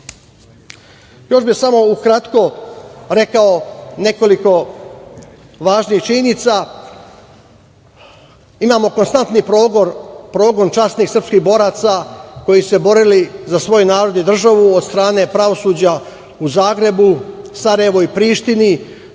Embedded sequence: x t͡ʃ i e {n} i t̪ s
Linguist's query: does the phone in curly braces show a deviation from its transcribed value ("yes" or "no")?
no